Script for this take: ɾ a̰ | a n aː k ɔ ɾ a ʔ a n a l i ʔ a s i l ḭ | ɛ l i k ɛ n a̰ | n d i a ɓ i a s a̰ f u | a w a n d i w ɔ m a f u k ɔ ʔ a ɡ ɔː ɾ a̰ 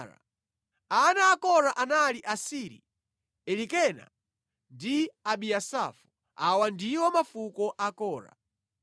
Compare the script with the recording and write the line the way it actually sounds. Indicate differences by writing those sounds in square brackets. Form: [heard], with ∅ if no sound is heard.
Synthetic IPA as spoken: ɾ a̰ | a n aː k ɔ ɾ a ʔ a n a l i ʔ a s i [ɾ] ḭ | ɛ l i k ɛ n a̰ | n d i a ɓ i a s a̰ f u | a w a n d i w ɔ m a f u k ɔ ʔ a [k] ɔː ɾ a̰